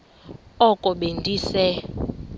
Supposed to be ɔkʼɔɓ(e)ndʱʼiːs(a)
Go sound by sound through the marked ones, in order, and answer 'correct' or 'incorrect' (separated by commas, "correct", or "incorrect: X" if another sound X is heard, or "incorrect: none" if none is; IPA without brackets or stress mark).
correct, incorrect: ɛ